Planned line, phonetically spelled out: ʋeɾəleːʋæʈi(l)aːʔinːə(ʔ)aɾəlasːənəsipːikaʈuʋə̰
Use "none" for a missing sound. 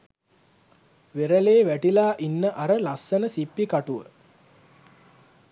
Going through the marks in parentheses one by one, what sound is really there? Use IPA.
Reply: l, ʔ

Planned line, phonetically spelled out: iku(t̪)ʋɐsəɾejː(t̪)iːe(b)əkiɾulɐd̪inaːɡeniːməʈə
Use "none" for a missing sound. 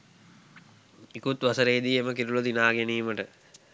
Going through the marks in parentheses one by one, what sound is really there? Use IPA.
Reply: t̪, d̪, m

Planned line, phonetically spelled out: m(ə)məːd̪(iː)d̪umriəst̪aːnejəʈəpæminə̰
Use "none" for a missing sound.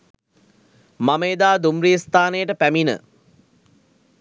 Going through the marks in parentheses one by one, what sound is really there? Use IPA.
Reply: a, aː

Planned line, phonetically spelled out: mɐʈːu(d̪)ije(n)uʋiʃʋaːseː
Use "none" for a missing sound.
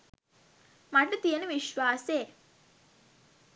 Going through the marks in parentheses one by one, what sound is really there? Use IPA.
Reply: t̪, n

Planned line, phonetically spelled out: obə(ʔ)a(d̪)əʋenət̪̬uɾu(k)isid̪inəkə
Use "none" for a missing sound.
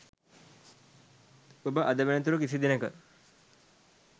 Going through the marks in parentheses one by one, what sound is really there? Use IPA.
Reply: ʔ, d̪, k

